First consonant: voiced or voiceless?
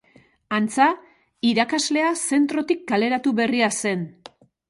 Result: voiced